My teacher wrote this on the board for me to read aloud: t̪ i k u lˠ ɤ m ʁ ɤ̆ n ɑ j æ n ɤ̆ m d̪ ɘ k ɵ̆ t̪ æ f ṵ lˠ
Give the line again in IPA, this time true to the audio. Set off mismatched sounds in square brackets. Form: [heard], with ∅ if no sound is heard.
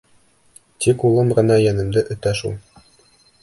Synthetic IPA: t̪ i k u lˠ ɤ m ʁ ɤ̆ n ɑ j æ n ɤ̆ m d̪ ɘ [ʔ] ɵ̆ t̪ æ [ʃ] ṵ lˠ